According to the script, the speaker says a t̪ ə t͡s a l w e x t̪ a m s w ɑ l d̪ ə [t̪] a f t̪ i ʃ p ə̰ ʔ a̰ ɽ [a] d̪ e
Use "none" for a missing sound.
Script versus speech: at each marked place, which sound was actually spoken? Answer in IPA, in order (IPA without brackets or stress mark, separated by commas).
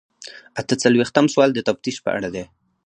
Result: t̪, a